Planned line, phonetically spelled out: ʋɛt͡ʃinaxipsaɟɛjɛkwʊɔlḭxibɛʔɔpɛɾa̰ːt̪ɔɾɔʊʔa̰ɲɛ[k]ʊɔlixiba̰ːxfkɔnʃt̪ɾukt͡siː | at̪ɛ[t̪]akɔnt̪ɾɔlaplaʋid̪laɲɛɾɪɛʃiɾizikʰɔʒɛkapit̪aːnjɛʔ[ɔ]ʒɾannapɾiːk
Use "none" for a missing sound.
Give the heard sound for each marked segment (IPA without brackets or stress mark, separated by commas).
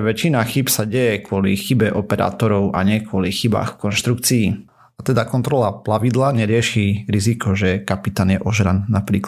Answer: k, d̪, ɔ